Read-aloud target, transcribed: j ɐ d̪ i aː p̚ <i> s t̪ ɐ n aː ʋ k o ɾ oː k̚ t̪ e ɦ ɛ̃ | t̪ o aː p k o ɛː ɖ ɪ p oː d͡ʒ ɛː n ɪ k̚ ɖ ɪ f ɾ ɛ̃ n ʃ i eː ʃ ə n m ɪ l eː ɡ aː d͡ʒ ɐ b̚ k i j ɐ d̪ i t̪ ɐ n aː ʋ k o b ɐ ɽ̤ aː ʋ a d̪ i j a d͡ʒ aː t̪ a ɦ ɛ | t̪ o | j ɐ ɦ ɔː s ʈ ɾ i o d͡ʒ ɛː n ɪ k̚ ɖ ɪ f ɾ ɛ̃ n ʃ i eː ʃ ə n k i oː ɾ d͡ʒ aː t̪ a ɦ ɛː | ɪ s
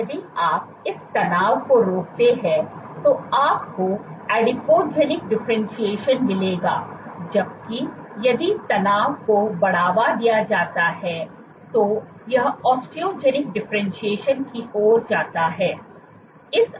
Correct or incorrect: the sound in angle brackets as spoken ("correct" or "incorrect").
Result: incorrect